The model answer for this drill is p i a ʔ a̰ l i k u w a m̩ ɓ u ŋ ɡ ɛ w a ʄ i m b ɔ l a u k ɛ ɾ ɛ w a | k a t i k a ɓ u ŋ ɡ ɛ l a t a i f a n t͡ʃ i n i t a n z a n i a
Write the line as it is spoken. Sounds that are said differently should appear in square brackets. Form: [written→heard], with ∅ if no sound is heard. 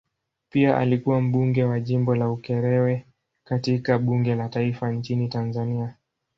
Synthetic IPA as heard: p i a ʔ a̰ l i k u w a m̩ ɓ u ŋ ɡ ɛ w a ʄ i m b ɔ l a u k ɛ ɾ ɛ w [a→ɛ] | k a t i k a ɓ u ŋ ɡ ɛ l a t a i f a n t͡ʃ i n i t a n z a n i a